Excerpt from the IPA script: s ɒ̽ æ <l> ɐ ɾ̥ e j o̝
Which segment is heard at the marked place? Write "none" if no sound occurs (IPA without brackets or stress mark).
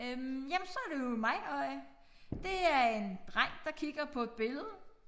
none